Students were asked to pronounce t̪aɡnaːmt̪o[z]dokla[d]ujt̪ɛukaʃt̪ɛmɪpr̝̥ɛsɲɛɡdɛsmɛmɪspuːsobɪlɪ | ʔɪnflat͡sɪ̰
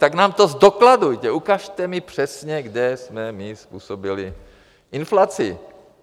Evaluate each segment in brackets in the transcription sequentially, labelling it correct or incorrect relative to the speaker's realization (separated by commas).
correct, correct